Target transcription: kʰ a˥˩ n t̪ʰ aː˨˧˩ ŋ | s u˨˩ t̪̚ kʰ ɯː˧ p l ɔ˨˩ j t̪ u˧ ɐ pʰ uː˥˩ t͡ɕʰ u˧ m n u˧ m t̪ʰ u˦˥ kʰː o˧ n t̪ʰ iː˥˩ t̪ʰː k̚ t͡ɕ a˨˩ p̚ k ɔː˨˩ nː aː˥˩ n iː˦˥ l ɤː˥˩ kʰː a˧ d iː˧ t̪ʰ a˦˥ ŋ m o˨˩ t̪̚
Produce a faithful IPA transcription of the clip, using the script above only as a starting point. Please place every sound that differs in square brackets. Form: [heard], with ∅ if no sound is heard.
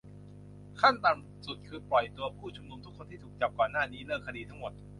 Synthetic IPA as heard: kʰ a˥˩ n [t̪] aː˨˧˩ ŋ | s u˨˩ t̪̚ kʰ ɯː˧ p l ɔ˨˩ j t̪ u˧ ɐ pʰ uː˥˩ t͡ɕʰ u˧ m n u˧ m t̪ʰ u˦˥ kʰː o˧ n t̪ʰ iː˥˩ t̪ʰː k̚ t͡ɕ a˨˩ p̚ k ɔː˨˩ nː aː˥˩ n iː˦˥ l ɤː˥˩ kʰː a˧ d iː˧ t̪ʰ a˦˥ ŋ m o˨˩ t̪̚